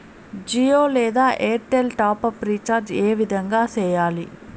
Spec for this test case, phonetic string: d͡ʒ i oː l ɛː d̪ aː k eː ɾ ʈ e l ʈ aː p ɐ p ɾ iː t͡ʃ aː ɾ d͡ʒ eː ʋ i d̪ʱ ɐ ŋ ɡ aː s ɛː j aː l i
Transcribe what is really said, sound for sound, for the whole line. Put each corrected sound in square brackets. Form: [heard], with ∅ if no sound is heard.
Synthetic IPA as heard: d͡ʒ i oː l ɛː d̪ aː [ʔ] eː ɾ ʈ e l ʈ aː p ɐ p ɾ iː t͡ʃ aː ɾ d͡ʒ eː ʋ i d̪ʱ ɐ ŋ ɡ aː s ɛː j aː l i